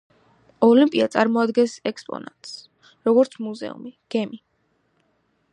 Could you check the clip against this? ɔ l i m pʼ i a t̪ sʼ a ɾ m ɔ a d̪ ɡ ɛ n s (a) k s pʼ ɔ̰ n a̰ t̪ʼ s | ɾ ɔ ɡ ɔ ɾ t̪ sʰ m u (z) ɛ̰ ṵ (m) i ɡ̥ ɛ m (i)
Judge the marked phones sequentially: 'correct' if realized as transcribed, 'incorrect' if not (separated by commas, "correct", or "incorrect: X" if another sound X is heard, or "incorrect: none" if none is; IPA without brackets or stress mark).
incorrect: ɛ, correct, correct, correct